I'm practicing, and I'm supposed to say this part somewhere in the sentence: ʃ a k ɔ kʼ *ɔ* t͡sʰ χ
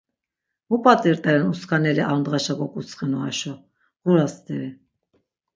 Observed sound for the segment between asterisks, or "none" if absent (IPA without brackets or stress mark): u